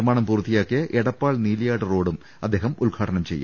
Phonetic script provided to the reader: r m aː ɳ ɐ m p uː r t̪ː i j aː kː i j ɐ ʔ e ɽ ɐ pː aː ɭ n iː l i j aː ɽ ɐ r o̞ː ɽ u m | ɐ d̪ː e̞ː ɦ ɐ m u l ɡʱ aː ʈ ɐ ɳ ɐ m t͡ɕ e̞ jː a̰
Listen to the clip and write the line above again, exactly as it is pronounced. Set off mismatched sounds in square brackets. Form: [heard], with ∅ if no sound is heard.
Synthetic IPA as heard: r m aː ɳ ɐ m p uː r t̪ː i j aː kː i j ɐ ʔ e ɽ ɐ pː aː ɭ n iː l i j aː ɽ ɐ r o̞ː ɽ u m | ɐ d̪ː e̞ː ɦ ɐ m u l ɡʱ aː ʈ ɐ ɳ ɐ m t͡ɕ e̞ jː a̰